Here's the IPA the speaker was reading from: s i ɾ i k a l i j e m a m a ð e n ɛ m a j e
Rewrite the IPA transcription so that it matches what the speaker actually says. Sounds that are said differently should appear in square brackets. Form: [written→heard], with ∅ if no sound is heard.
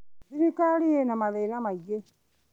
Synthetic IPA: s i ɾ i k a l i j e [m→n] a m a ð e n [ɛ→a] m a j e